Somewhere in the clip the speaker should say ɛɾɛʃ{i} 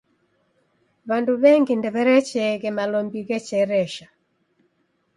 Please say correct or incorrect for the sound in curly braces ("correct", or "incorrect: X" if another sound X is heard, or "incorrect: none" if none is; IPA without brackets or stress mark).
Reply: incorrect: a